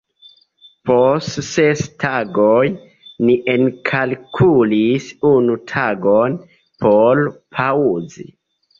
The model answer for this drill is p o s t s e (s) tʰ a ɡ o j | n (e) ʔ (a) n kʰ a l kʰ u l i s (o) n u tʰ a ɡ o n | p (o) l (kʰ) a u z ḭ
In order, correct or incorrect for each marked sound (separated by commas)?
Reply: correct, incorrect, incorrect, incorrect, correct, incorrect